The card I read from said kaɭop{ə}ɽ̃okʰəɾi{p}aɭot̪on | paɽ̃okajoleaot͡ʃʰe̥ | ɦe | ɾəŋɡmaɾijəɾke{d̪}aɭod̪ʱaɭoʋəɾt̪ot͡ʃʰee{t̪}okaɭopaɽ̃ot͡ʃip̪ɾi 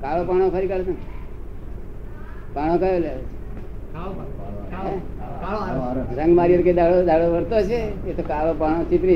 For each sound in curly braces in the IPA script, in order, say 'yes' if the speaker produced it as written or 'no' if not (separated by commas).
no, no, yes, yes